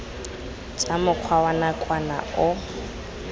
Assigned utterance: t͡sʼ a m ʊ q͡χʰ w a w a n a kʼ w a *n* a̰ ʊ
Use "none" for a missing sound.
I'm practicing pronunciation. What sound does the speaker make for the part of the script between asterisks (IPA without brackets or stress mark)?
n